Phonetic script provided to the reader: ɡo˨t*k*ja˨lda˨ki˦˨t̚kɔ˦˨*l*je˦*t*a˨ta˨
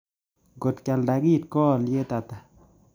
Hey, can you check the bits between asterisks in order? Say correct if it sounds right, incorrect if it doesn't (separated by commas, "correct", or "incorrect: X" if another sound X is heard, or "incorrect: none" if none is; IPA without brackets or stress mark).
correct, correct, correct